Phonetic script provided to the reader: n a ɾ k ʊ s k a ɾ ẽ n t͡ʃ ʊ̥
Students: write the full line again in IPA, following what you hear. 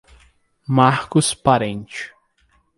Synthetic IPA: m a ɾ k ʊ s p a ɾ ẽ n t͡ʃ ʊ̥